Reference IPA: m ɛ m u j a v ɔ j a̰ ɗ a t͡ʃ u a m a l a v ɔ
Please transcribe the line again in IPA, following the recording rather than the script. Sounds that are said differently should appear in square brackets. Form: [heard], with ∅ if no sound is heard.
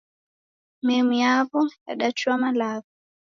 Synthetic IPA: m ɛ m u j a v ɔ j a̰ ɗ a t͡ʃ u a m a l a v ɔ